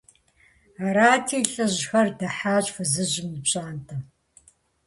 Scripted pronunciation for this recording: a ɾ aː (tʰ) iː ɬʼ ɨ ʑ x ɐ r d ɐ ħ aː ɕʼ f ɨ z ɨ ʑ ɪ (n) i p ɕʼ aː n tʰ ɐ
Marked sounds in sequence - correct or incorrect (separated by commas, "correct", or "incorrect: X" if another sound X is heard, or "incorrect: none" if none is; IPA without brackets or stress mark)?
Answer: correct, incorrect: m